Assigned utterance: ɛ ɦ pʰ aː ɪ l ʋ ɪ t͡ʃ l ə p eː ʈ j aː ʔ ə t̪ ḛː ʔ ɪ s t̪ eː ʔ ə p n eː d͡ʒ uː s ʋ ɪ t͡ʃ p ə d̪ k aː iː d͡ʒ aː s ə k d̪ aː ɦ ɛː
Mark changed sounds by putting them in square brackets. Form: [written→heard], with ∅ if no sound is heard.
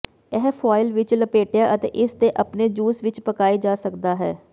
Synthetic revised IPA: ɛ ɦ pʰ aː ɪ l ʋ ɪ t͡ʃ l ə p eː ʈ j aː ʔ ə t̪ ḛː ʔ ɪ s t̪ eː ʔ ə p n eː d͡ʒ uː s ʋ ɪ t͡ʃ p ə [d̪→∅] k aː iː d͡ʒ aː s ə k d̪ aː ɦ ɛː